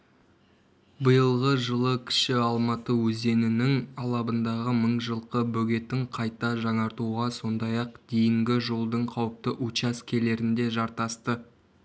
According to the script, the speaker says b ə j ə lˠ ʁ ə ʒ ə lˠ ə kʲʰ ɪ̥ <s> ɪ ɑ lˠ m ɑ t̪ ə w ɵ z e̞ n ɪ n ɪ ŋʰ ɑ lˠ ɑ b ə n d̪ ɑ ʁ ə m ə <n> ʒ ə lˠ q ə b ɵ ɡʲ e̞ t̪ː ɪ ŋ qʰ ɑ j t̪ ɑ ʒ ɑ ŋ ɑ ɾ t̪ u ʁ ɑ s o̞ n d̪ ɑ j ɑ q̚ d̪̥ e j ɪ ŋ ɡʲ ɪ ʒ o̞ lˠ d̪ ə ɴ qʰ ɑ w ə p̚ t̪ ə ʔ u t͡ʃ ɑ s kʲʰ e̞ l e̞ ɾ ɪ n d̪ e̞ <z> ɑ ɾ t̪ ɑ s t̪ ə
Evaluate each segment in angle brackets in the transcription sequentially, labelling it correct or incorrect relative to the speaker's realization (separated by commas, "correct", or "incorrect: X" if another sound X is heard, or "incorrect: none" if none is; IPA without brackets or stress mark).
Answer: incorrect: ʃ, incorrect: ɴ, incorrect: ʒ